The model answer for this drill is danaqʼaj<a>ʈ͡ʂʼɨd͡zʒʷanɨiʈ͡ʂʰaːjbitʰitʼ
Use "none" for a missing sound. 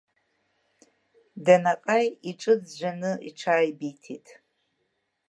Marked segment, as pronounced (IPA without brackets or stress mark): i